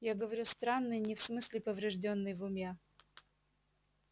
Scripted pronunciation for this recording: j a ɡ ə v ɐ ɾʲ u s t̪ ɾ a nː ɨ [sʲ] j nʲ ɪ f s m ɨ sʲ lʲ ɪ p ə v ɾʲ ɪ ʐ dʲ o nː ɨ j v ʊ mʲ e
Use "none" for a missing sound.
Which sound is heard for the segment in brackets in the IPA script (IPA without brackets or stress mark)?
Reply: none